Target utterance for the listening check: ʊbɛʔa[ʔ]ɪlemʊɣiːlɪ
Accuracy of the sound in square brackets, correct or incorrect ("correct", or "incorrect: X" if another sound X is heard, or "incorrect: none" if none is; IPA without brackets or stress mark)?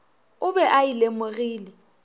incorrect: none